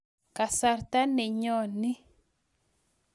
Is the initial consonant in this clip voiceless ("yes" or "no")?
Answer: yes